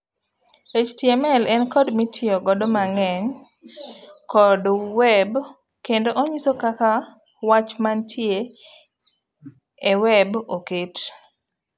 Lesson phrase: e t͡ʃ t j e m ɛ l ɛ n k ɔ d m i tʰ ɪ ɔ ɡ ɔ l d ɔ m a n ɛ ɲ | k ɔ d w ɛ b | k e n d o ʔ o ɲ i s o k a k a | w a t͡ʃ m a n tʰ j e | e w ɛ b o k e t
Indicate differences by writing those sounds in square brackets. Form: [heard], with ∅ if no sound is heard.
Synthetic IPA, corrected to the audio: e t͡ʃ t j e m ɛ l ɛ n k ɔ d m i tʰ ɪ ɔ ɡ ɔ [∅] d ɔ m a [ŋ] ɛ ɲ | k ɔ d w ɛ b | k e n d o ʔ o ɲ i s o k a k a | w a t͡ʃ m a n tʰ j e | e w ɛ b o k e t

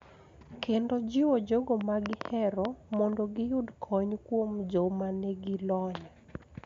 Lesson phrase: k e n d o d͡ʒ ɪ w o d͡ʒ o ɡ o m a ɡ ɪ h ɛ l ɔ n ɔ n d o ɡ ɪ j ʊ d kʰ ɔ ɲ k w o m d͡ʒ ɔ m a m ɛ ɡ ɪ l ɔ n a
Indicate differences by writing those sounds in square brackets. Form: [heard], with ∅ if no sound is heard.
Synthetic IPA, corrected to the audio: k e n d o d͡ʒ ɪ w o d͡ʒ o ɡ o m a ɡ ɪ h ɛ [ɾ] ɔ [m] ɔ n d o ɡ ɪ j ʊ d kʰ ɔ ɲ k w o m d͡ʒ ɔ m a [n] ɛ ɡ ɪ l ɔ [ɲ] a

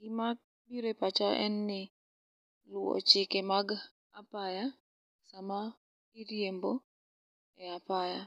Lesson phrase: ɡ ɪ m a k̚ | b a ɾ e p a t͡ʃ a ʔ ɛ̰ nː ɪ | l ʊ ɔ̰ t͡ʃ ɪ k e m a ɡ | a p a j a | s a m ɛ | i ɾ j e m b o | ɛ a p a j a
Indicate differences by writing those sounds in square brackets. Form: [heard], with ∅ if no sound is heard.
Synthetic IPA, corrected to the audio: ɡ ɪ m a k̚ | b [i] ɾ e p a t͡ʃ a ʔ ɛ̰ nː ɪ | l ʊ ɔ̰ t͡ʃ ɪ k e m a ɡ | a p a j a | s a m [a] | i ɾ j e m b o | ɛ a p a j a

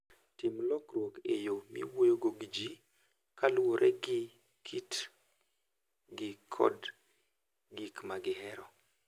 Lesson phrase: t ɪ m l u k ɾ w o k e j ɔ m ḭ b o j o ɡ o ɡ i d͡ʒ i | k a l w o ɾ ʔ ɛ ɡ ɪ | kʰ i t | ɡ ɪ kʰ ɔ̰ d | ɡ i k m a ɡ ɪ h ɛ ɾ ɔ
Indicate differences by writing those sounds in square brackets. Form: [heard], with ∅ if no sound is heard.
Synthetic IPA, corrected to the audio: t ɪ m l [ɔ] k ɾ w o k e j [o] m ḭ [w] o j o ɡ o ɡ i d͡ʒ i | k a l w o ɾ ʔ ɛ ɡ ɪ | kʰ i t | ɡ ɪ kʰ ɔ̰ d | ɡ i k m a ɡ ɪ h ɛ ɾ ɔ

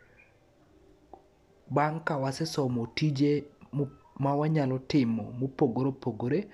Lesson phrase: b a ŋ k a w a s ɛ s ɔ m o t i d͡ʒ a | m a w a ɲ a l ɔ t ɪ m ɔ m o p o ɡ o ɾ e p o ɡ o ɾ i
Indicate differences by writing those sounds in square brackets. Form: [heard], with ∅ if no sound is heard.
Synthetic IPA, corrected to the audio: b a ŋ k a w a s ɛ s ɔ m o t i d͡ʒ [e] | m a w a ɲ a l ɔ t ɪ m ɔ m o p o ɡ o ɾ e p o ɡ o ɾ [e]

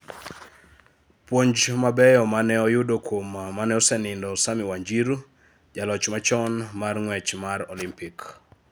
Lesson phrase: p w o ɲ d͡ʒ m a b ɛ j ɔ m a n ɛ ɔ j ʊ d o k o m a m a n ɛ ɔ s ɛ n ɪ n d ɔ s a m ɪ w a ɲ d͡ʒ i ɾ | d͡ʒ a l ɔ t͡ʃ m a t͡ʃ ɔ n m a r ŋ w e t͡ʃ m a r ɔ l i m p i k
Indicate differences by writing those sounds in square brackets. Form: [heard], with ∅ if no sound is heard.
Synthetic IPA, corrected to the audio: p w o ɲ d͡ʒ m a b ɛ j ɔ m a n ɛ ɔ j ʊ d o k o m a m a n ɛ ɔ s ɛ n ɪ n d ɔ s a m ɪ w a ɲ d͡ʒ i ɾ | d͡ʒ a l ɔ t͡ʃ m a t͡ʃ ɔ n m a r ŋ w [ɛ] t͡ʃ m a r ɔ l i m p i k

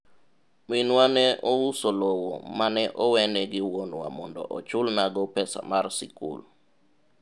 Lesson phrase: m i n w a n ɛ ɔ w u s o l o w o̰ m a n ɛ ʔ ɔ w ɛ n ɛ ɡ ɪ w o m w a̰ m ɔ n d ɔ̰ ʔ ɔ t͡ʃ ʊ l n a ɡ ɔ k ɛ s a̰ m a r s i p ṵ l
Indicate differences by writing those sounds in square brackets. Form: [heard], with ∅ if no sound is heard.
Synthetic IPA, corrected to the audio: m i n w a n ɛ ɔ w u s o l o w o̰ m a n ɛ ʔ ɔ w ɛ n ɛ ɡ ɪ w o [n] w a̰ m ɔ n d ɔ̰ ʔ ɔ t͡ʃ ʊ l n a ɡ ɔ [p] ɛ s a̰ m a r s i [k] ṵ l

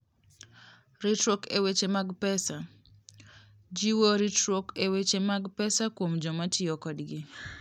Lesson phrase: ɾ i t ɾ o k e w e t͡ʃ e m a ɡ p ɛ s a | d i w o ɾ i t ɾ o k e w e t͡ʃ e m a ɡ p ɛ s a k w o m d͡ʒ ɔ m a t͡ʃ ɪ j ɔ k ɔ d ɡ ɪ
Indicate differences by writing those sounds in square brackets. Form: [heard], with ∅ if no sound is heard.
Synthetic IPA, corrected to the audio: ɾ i t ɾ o k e w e t͡ʃ e m a ɡ p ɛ s a | [d͡ʒ] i w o ɾ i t ɾ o k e w e t͡ʃ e m a ɡ p ɛ s a k w o m d͡ʒ ɔ m a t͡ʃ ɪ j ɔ k ɔ d ɡ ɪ

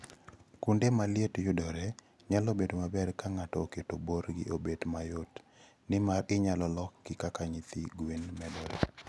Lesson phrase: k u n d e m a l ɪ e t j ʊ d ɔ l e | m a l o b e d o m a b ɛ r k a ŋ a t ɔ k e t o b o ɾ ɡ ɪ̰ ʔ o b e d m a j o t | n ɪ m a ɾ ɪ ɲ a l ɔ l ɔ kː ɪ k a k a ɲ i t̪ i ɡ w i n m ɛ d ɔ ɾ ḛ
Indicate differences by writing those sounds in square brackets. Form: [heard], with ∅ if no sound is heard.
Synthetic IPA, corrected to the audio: k u n d e m a l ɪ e t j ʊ d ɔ [ɾ] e | [ɲ] a l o b e d o m a b ɛ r k a ŋ a t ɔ k e t o b o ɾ ɡ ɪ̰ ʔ o b e d m a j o t | n ɪ m a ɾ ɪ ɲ a l ɔ l ɔ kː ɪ k a k a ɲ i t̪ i ɡ w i n m ɛ d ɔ ɾ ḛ

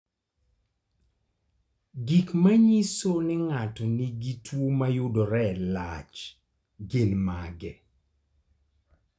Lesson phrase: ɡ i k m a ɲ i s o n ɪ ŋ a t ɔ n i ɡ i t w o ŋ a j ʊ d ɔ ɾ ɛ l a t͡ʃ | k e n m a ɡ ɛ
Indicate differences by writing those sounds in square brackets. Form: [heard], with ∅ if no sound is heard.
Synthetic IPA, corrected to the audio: ɡ i k m a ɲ i s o n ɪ ŋ a t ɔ n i ɡ i t w o [m] a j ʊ d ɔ ɾ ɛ l a t͡ʃ | [ɡ] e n m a ɡ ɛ

